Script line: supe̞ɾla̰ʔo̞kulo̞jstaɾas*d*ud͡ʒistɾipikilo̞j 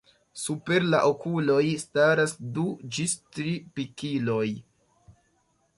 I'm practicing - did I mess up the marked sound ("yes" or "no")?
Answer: no